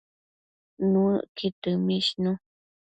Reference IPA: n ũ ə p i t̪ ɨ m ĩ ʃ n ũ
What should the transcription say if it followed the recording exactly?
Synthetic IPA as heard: n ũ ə k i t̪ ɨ m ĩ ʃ n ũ